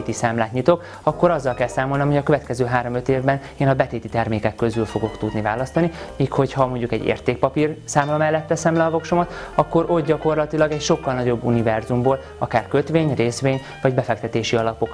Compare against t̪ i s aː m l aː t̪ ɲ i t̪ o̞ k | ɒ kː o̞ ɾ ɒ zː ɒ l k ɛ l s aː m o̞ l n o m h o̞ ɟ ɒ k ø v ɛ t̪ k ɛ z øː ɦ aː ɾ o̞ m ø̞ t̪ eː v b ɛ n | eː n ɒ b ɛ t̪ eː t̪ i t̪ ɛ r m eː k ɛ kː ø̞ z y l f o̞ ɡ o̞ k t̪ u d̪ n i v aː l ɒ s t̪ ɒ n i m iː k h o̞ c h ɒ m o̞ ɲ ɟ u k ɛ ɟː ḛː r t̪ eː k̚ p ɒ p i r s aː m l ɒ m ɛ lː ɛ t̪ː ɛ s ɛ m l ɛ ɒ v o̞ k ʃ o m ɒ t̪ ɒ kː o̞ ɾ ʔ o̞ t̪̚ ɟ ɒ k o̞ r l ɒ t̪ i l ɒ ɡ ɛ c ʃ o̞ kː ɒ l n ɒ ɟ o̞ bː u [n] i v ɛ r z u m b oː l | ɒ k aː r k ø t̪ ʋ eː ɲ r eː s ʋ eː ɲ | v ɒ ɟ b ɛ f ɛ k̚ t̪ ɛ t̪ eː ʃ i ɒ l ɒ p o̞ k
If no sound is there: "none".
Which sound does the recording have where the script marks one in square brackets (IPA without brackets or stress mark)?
n